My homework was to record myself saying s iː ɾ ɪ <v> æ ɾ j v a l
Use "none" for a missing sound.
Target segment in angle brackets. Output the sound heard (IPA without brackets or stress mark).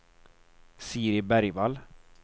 b